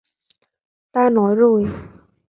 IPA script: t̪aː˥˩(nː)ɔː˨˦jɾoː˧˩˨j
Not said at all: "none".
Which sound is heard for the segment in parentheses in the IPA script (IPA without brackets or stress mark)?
n